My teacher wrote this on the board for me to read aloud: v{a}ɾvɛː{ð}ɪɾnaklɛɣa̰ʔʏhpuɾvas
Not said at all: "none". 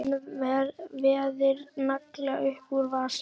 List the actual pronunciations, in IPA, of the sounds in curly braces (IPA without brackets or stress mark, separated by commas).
ɛ, ð